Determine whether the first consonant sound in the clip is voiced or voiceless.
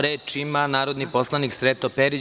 voiced